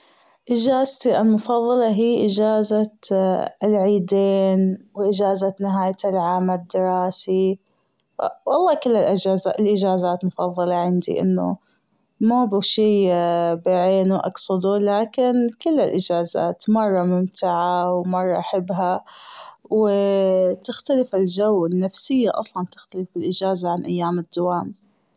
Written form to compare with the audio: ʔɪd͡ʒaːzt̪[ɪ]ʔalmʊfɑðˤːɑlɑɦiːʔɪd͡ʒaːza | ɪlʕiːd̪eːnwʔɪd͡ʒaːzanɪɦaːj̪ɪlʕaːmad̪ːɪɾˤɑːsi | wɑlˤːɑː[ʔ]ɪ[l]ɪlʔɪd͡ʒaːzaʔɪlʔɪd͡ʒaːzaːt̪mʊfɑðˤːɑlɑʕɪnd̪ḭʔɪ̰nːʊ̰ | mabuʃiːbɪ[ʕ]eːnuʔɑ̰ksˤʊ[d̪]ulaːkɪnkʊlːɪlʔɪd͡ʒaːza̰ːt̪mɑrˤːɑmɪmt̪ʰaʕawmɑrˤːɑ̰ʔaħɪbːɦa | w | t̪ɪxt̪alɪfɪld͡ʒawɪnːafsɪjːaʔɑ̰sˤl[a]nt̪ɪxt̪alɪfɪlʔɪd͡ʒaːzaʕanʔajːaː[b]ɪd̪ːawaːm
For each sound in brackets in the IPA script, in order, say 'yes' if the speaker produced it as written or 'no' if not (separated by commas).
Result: no, no, no, yes, yes, no, no